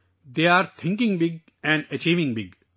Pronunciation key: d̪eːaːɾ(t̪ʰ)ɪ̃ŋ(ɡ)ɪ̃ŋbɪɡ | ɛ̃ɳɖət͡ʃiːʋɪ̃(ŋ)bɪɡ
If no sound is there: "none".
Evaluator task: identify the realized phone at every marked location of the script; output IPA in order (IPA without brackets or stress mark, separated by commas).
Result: t̪ʰ, k, ŋ